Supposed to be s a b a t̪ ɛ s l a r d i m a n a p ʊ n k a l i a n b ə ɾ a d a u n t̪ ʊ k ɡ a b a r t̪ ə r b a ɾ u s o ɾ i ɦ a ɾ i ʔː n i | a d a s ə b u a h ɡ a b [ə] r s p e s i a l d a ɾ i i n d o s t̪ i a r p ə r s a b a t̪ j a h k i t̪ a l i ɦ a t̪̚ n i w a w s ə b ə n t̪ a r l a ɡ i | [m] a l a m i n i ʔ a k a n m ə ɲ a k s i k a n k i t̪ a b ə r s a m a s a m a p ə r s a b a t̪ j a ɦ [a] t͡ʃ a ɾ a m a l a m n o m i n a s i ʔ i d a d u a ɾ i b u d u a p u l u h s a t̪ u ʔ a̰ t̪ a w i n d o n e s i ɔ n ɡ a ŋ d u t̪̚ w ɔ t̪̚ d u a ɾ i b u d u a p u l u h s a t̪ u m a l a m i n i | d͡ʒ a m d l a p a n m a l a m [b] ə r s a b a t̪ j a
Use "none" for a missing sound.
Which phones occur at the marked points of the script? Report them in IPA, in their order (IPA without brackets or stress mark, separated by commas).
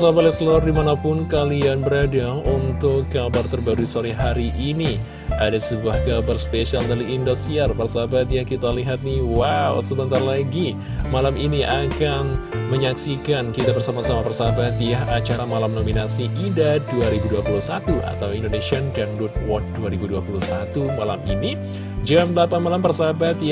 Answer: a, m, a, p